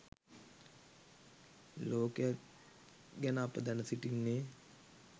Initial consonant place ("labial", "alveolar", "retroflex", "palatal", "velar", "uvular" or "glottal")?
alveolar